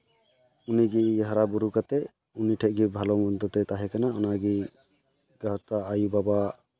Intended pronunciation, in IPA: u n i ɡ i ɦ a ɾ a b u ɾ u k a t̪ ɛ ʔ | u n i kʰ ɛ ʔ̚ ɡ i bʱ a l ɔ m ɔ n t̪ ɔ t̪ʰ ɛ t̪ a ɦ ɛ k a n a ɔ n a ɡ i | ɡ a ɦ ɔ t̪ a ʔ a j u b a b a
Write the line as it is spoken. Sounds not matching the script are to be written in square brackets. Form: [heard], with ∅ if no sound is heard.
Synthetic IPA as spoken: u n i ɡ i ɦ a ɾ a b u ɾ u k a t̪ ɛ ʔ | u n i [ʈʰ] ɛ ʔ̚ ɡ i bʱ a l ɔ m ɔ n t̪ ɔ [t̪] ɛ t̪ a ɦ ɛ k a n a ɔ n a ɡ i | ɡ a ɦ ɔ t̪ a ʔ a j u b a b a